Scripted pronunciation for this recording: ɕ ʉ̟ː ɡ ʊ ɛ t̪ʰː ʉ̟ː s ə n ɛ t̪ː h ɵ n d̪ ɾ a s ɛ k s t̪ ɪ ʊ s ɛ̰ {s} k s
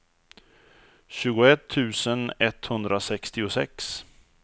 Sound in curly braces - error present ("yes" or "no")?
yes